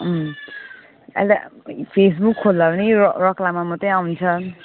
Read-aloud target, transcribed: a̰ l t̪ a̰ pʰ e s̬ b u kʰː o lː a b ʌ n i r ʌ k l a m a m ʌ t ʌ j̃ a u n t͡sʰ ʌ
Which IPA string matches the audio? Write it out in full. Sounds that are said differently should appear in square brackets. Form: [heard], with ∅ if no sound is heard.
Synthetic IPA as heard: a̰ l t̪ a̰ pʰ e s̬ b u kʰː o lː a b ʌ n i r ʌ k l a m a m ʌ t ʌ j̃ a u n t͡sʰ ʌ

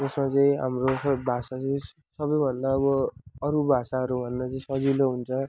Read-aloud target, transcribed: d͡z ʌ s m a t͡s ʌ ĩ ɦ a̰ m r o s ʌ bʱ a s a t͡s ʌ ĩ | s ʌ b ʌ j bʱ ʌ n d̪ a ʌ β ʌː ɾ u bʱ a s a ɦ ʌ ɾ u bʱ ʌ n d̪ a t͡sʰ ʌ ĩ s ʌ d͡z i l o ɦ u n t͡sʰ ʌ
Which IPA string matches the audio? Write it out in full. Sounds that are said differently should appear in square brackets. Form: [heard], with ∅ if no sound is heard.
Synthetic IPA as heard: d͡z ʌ s m a t͡s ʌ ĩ ɦ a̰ m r o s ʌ bʱ a s a t͡s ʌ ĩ | s ʌ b ʌ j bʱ ʌ n d̪ a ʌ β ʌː ɾ u bʱ a s a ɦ ʌ ɾ u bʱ ʌ n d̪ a [t͡s] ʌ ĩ s ʌ d͡z i l o ɦ u n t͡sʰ ʌ

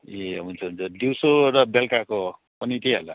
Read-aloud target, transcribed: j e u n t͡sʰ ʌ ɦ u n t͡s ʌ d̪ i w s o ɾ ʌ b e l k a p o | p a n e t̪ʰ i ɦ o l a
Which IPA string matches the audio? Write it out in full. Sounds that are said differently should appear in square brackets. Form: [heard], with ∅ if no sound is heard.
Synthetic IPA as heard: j e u n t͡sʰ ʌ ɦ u n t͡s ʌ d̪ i w s o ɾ ʌ b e l k a [k] o | p [ʌ] n [i] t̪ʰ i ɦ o l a

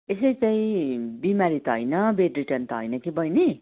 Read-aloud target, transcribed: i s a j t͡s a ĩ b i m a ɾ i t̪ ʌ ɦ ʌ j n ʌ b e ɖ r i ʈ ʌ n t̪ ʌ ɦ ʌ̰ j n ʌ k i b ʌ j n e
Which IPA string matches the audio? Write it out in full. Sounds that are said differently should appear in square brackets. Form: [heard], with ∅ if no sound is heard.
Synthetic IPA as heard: [e] s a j t͡s a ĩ b i m a ɾ i t̪ ʌ ɦ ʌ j n ʌ b e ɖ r i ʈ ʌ n t̪ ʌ ɦ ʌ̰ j n ʌ k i b ʌ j n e

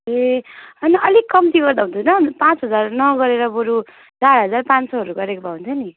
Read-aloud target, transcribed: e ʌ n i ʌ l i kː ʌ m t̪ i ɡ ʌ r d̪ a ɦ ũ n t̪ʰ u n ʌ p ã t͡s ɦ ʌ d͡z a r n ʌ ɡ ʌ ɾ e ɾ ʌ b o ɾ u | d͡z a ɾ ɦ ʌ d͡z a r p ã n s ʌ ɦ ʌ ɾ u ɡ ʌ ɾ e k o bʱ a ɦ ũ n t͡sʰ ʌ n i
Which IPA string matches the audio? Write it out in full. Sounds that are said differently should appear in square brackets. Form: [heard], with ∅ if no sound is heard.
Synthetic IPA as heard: e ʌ n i ʌ l i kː ʌ m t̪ i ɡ ʌ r d̪ a ɦ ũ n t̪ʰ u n ʌ p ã t͡s ɦ ʌ d͡z a r n ʌ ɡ ʌ ɾ e ɾ ʌ b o ɾ u | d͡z a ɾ ɦ ʌ d͡z a r p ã n s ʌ ɦ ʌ ɾ u ɡ ʌ ɾ e k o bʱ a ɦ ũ n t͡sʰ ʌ n i

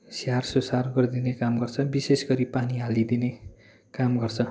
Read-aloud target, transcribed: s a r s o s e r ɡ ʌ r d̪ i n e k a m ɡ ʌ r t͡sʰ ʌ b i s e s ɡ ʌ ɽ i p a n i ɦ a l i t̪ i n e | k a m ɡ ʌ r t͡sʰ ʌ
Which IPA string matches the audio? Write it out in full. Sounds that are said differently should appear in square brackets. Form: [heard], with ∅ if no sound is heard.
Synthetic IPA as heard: s a r s o s [a] r ɡ ʌ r d̪ i n e k a m ɡ ʌ r t͡sʰ ʌ b i s e s ɡ ʌ [ɾ] i p a n i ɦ a l i [d̪] i n e | k a m ɡ ʌ r t͡sʰ ʌ

